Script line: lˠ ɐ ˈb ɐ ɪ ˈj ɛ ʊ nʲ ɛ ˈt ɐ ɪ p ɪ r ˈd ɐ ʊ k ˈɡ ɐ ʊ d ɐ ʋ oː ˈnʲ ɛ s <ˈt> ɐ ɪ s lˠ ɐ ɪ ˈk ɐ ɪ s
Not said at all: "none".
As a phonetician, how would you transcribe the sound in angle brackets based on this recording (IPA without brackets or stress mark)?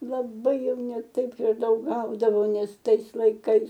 t